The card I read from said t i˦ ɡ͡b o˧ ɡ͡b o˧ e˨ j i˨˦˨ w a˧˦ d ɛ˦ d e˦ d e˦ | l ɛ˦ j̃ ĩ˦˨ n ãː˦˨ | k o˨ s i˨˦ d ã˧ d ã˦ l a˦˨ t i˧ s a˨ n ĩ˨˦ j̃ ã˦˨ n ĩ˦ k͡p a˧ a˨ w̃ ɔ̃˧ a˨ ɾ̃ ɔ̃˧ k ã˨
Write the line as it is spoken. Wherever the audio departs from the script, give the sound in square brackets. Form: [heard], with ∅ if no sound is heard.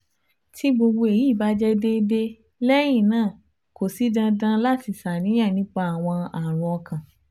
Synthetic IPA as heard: t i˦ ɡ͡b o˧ ɡ͡b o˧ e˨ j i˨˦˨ [b] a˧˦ [d͡ʒ] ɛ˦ d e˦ d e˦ | l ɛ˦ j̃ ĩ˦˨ n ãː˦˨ | k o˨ s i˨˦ d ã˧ d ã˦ l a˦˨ t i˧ s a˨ n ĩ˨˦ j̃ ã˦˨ n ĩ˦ k͡p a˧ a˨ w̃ ɔ̃˧ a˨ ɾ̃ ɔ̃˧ k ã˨